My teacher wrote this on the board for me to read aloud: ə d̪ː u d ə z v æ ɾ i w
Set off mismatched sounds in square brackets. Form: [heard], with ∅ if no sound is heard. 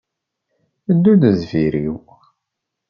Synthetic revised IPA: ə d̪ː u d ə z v [i] ɾ i w